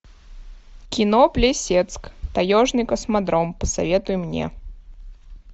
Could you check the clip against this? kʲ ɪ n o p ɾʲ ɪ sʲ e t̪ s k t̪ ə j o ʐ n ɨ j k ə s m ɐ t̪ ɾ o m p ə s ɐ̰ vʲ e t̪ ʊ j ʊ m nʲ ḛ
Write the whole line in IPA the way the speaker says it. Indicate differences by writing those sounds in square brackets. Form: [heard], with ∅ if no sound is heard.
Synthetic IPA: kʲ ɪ n o p [lʲ] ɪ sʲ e t̪ s k t̪ [ɐ] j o ʐ n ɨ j k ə s m ɐ [d̪] ɾ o m p ə s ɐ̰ vʲ e t̪ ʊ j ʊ m nʲ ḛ